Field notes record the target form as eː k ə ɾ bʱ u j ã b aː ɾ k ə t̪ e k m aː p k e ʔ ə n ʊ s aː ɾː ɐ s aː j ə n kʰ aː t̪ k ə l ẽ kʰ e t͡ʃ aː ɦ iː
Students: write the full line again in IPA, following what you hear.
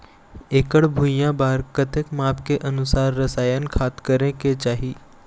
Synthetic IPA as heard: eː k ə ɽ bʱ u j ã b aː ɾ k ə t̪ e k m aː p k e ʔ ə n ʊ s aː ɾː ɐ s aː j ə n kʰ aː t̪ k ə ɾ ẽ k e t͡ʃ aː ɦ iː